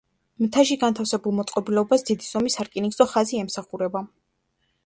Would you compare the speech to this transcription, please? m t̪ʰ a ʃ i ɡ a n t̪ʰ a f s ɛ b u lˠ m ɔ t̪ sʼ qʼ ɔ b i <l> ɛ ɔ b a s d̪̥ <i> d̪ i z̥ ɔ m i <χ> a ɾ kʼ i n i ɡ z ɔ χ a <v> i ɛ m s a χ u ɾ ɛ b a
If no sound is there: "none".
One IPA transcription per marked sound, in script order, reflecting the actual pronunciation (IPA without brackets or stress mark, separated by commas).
l, i, s, z